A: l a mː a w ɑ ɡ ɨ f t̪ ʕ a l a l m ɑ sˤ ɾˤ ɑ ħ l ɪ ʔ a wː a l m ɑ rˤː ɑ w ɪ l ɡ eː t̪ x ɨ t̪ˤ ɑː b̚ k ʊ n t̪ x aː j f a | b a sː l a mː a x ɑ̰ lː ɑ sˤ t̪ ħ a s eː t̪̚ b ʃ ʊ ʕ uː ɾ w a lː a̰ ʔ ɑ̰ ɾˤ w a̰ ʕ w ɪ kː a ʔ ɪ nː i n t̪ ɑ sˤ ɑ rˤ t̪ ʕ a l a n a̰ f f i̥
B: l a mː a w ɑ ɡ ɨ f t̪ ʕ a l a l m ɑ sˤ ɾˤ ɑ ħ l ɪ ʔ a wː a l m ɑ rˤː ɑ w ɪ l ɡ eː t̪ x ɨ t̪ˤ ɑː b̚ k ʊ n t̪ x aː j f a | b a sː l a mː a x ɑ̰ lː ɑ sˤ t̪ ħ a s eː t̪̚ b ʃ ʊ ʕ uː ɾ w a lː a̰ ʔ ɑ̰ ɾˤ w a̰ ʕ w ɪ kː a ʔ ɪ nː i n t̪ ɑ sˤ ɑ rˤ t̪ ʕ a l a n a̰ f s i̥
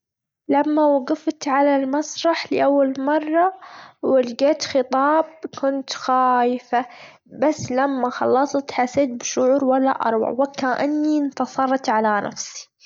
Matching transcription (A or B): B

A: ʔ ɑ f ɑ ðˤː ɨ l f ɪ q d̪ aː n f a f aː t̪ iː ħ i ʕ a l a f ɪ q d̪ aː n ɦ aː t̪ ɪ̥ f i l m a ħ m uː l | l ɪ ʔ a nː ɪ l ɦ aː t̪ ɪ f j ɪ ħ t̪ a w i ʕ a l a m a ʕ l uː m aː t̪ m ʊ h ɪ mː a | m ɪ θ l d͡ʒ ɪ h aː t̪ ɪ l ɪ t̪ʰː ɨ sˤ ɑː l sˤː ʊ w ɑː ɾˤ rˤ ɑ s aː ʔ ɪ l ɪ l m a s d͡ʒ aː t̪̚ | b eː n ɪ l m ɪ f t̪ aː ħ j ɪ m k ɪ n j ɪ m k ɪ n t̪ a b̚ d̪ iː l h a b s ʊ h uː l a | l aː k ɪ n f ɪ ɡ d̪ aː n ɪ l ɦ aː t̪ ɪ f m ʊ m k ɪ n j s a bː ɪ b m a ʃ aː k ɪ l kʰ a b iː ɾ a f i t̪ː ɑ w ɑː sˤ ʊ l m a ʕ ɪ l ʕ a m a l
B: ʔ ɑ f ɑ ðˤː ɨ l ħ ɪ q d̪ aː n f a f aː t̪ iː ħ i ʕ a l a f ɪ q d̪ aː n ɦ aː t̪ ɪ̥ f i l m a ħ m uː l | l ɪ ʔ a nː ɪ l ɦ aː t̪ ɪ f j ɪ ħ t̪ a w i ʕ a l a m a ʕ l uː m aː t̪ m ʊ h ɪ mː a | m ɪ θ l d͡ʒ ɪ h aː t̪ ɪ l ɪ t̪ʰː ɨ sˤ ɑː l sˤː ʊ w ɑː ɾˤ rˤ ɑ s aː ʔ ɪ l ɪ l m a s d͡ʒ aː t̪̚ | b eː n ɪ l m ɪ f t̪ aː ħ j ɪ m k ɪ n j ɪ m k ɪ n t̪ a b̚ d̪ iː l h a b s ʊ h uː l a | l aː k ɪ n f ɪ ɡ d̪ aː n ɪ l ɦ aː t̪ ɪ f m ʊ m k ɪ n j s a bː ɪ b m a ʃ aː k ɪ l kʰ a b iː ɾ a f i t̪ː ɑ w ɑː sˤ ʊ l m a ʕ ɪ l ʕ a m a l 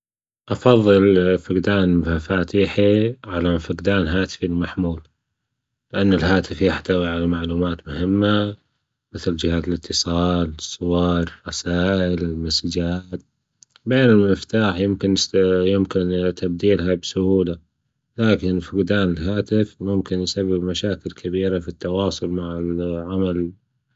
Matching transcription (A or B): A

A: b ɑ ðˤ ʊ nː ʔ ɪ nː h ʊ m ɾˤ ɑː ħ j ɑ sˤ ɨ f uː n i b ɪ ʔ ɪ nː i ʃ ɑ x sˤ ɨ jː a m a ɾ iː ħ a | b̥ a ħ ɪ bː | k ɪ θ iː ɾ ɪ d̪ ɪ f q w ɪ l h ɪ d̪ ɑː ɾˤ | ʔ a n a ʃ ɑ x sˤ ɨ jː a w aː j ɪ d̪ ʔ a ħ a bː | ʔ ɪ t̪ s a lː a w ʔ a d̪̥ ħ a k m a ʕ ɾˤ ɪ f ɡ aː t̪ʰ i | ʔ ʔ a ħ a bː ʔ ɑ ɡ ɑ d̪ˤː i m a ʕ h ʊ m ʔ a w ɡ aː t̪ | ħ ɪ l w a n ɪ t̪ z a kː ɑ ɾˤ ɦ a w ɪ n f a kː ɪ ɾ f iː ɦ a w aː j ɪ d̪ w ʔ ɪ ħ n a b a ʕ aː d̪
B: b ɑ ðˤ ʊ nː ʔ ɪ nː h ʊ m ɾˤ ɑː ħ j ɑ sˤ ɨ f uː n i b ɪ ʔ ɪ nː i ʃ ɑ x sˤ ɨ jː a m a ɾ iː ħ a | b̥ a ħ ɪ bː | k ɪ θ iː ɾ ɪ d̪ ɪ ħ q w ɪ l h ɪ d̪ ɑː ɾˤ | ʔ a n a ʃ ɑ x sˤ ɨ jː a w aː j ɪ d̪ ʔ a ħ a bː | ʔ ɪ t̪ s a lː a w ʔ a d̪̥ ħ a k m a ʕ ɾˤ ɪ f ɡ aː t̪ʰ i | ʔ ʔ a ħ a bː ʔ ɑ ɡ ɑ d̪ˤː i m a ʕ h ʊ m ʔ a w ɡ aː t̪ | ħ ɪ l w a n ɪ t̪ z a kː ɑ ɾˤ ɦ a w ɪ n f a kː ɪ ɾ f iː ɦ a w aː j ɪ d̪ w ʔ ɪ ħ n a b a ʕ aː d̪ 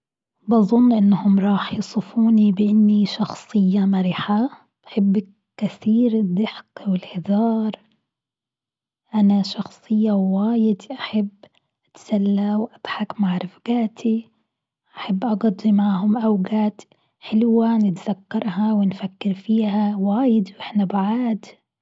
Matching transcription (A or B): B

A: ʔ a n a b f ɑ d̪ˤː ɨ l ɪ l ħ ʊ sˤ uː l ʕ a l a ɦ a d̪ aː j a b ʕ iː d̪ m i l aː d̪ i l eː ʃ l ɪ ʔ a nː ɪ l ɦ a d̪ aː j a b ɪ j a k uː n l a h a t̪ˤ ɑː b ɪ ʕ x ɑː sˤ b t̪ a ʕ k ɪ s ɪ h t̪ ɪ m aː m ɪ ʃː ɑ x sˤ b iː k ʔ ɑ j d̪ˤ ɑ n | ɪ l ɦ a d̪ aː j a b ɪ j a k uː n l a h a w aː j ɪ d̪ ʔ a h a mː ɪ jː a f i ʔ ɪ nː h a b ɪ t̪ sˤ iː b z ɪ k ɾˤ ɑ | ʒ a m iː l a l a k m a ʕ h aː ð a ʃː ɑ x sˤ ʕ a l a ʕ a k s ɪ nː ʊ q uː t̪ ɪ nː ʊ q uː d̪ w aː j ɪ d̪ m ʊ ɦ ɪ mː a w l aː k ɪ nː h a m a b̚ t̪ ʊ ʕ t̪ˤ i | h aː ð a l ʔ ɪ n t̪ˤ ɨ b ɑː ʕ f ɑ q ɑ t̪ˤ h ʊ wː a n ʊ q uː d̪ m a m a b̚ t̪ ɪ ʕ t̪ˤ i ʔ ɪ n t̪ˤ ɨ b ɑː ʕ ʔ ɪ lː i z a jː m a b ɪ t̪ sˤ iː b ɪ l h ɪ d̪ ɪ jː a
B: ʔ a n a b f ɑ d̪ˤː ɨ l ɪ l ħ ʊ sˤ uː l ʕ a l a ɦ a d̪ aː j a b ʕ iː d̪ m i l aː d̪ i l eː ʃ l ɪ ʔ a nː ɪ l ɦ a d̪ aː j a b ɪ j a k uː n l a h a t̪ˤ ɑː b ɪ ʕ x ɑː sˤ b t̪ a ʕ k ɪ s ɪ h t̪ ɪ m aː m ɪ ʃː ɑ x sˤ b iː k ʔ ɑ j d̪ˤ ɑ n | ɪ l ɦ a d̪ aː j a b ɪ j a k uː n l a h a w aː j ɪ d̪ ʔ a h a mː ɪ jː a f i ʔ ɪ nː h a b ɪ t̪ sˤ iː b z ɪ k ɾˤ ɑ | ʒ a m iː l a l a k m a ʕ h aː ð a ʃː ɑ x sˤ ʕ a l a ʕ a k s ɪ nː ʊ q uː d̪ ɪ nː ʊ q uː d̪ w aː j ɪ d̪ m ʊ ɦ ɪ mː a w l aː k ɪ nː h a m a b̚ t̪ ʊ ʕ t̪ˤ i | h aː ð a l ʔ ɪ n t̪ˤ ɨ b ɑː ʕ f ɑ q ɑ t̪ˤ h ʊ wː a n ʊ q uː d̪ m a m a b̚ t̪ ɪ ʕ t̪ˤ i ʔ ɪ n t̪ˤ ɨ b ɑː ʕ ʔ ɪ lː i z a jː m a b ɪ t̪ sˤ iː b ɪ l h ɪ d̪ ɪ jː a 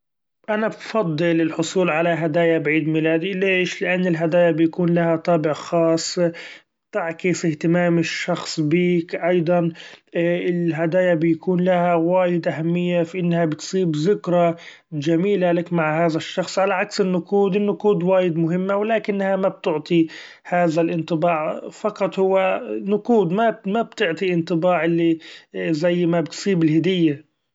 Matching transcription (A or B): B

